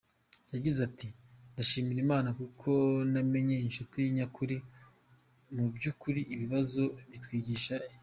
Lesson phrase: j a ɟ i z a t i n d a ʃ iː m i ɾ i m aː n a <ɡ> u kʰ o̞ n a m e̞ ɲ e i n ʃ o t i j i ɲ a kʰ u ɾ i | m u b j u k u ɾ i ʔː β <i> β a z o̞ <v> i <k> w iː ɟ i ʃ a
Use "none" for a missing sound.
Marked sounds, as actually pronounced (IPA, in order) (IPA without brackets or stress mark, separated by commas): k, i, β, t